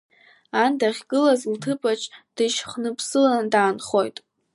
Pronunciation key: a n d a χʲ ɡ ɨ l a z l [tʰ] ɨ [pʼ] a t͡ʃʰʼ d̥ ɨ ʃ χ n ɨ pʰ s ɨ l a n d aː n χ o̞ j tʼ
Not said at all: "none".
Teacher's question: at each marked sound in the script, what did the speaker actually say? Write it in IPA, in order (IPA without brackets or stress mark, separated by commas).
tʰ, pʼ